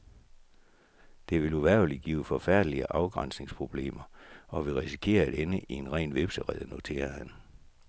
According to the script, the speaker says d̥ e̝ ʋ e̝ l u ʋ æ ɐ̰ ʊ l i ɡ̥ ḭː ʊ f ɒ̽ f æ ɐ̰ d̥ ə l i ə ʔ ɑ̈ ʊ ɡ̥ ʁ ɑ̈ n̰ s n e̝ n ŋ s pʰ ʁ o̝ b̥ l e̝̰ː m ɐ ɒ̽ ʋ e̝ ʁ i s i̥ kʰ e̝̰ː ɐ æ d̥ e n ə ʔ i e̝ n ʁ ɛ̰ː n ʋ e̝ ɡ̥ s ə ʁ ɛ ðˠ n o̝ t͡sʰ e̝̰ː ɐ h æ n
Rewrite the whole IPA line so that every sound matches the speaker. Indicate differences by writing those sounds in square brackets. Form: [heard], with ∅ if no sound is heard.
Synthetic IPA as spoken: d̥ e̝ ʋ e̝ l u ʋ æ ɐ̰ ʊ l i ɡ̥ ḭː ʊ f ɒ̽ f æ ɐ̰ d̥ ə l i ə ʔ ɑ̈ ʊ ɡ̥ ʁ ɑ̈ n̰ s n e̝ [∅] ŋ s pʰ ʁ o̝ b̥ l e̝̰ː m ɐ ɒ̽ ʋ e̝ ʁ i s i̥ kʰ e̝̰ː ɐ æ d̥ e n ə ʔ i e̝ n ʁ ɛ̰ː n ʋ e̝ [b̥] s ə ʁ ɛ ðˠ n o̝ t͡sʰ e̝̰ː ɐ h æ n